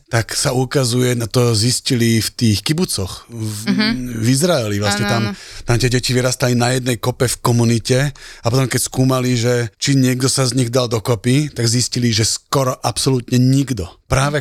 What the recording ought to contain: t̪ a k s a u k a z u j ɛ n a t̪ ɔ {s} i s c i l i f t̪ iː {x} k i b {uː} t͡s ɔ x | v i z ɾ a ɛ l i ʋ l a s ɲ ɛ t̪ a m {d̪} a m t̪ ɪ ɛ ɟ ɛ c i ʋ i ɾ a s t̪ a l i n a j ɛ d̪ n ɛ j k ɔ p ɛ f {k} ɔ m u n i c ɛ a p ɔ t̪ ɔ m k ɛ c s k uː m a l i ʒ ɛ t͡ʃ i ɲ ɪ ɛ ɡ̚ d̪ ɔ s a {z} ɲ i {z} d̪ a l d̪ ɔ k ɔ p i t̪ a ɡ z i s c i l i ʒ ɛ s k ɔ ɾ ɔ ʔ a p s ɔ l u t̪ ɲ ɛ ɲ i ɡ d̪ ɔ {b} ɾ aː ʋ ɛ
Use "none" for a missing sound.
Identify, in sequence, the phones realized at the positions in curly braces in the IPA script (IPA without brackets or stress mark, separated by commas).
z, x, u, t̪, k, z, ɣ, p